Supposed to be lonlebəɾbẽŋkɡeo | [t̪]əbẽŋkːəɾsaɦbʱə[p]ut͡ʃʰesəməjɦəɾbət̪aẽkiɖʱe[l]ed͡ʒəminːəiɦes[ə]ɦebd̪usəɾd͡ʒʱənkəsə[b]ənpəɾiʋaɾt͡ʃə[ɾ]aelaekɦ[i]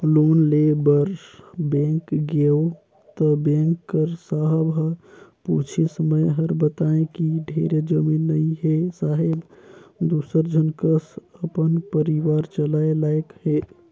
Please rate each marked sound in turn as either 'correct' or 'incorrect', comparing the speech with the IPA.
correct, correct, incorrect: ɾ, incorrect: a, incorrect: p, incorrect: l, incorrect: e

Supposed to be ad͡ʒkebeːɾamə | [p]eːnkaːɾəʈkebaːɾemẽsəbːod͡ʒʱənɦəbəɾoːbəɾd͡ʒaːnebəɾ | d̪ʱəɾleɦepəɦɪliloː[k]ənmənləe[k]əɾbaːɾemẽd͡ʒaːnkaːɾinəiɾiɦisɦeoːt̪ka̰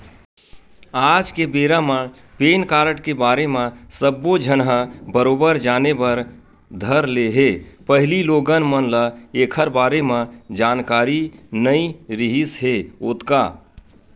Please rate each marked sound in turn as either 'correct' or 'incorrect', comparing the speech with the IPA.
correct, incorrect: ɡ, incorrect: kʰ

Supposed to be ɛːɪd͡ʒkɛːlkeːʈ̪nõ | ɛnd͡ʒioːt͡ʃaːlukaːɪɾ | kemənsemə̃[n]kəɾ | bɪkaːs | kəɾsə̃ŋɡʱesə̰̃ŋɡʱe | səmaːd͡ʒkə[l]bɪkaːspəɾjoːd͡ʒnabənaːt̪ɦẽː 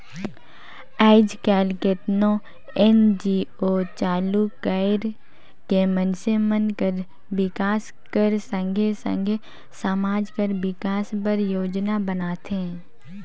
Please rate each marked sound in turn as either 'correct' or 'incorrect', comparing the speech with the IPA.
correct, incorrect: ɾ

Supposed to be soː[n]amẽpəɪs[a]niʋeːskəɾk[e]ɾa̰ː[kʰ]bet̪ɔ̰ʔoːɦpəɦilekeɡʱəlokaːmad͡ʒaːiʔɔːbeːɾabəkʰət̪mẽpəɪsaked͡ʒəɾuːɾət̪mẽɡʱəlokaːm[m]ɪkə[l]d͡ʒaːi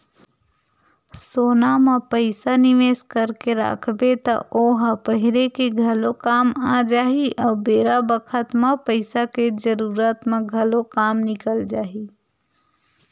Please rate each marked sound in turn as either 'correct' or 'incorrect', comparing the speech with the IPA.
correct, correct, correct, correct, incorrect: n, correct

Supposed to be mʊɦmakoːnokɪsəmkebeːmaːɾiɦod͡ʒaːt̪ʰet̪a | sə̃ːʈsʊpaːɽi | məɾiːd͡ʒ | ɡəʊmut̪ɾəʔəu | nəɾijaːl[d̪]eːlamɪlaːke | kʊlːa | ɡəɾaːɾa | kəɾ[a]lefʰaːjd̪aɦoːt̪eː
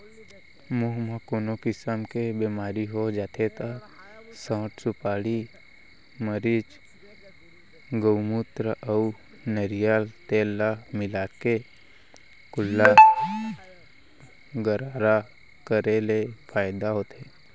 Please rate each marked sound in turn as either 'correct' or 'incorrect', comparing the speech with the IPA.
incorrect: t̪, incorrect: e

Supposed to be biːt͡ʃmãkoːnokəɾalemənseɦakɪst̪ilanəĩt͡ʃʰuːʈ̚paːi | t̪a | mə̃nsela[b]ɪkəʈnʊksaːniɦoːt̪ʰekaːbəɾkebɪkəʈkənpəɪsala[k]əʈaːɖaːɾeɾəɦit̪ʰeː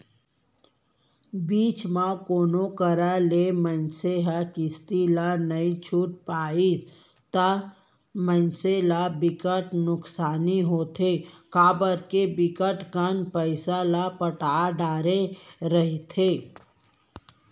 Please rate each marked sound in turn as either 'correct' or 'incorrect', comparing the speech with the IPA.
correct, incorrect: p

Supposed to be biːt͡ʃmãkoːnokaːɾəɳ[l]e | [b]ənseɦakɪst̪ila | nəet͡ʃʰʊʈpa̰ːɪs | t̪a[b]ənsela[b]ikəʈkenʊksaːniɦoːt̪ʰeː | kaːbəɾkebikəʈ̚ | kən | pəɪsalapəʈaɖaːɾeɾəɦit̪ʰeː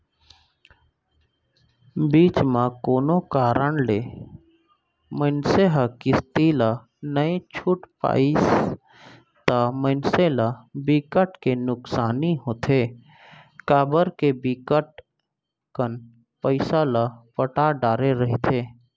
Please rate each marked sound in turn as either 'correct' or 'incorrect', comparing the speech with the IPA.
correct, incorrect: m, incorrect: m, correct

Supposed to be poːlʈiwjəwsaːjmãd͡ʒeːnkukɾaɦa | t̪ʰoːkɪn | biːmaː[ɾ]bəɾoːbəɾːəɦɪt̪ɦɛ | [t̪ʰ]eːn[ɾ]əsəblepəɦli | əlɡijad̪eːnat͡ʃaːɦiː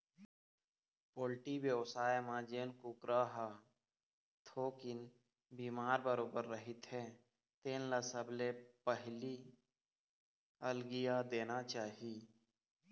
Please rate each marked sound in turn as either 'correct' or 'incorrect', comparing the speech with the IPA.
correct, incorrect: t̪, incorrect: l

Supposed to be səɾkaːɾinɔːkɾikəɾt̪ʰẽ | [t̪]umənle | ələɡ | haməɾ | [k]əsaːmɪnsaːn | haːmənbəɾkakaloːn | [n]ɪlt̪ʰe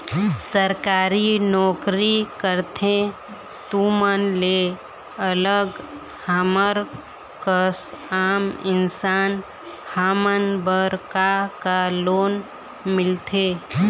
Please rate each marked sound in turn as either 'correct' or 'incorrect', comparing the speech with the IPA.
correct, correct, incorrect: m

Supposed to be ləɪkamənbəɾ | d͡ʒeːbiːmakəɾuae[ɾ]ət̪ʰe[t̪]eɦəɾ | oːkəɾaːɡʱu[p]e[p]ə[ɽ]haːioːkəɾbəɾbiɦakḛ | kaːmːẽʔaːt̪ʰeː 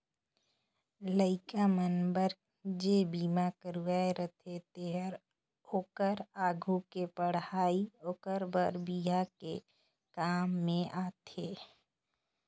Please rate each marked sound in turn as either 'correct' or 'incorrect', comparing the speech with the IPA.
correct, correct, incorrect: k, correct, correct

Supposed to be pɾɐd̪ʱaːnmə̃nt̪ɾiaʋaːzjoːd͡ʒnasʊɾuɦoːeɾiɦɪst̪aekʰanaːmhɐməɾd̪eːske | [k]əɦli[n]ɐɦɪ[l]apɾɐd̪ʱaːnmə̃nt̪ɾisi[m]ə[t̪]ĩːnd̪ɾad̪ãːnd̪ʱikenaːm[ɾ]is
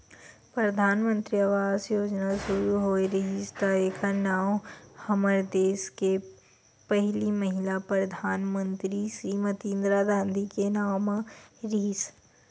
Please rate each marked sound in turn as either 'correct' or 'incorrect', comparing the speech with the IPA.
incorrect: p, incorrect: m, correct, correct, correct, correct

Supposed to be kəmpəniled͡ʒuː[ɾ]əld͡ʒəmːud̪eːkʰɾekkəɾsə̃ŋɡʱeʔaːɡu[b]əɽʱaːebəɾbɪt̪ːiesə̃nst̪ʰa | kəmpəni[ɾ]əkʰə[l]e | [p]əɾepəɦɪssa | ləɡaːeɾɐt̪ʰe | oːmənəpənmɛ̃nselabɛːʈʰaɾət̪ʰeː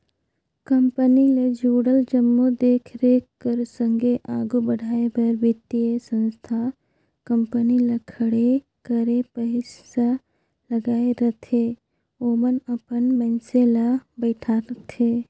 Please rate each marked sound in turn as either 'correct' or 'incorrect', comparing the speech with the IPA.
incorrect: ɽ, correct, incorrect: l, incorrect: ɽ, incorrect: k

